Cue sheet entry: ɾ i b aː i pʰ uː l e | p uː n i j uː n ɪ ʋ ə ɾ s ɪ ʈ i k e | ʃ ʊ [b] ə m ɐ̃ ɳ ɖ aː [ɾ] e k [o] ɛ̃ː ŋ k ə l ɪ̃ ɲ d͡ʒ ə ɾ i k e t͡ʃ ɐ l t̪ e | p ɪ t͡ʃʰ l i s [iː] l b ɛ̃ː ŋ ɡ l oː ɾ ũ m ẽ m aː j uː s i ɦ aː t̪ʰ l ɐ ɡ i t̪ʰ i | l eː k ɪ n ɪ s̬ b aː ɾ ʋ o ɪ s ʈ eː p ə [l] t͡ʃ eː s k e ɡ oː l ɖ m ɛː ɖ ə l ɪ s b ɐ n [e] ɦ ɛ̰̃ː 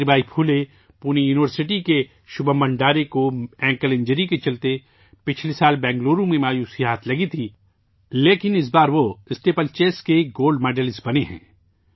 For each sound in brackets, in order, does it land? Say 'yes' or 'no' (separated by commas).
yes, yes, yes, no, yes, yes